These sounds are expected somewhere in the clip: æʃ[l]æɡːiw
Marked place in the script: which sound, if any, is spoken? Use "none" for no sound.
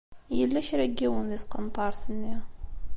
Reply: ɾ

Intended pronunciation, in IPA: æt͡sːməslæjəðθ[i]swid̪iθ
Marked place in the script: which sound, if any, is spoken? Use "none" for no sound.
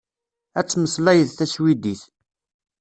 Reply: æ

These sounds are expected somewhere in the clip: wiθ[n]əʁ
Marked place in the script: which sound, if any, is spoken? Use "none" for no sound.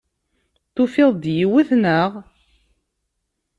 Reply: n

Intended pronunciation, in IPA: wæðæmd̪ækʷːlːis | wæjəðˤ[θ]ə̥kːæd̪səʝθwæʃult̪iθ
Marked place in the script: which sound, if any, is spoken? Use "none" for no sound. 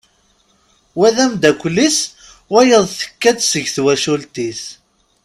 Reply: θ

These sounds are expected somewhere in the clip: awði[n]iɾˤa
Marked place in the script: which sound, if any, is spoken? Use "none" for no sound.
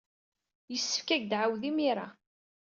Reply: m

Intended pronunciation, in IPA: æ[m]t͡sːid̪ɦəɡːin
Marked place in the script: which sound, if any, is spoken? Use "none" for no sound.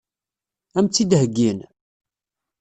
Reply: m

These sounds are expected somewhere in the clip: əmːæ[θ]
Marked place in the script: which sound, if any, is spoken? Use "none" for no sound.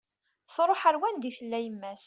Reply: s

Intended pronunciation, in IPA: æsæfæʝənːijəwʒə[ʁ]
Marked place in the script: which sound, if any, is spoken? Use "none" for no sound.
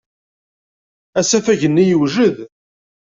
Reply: ð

